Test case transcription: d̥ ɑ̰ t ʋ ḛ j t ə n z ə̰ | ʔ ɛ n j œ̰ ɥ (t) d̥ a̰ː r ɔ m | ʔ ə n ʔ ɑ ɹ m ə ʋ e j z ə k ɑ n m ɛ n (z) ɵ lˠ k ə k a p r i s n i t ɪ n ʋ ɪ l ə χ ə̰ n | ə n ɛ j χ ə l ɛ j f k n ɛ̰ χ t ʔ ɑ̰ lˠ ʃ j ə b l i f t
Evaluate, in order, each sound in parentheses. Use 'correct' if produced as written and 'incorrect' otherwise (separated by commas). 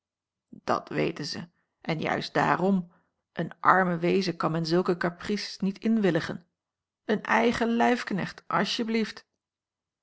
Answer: incorrect, correct